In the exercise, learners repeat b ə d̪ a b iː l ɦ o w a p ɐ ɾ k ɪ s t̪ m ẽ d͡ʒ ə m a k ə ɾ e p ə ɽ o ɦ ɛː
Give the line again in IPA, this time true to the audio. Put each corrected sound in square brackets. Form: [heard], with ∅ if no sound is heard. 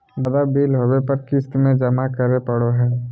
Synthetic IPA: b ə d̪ a b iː l ɦ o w [e] p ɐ ɾ k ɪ s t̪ m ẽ d͡ʒ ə m a k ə ɾ e p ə ɽ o ɦ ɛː